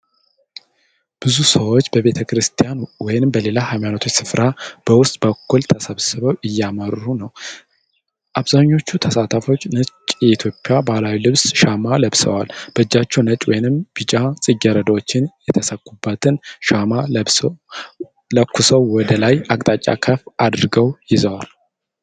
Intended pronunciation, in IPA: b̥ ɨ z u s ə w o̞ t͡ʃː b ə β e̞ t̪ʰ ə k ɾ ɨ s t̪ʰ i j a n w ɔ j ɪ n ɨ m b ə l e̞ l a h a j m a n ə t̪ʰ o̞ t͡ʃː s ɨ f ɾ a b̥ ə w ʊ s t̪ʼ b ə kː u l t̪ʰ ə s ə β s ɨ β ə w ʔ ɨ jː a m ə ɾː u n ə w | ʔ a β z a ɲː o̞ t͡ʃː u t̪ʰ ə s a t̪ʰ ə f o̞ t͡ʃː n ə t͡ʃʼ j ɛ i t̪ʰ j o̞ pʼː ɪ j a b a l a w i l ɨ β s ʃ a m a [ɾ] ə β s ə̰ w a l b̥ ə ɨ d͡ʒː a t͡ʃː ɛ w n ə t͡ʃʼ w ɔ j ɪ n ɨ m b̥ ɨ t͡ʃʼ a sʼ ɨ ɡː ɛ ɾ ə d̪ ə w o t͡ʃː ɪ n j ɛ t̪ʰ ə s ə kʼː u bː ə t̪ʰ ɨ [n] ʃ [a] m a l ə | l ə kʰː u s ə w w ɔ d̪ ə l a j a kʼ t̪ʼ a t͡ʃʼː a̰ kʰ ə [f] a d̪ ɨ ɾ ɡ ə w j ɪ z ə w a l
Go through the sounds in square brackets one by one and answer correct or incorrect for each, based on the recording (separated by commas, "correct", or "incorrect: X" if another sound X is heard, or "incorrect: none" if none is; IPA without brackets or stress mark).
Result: incorrect: l, correct, correct, correct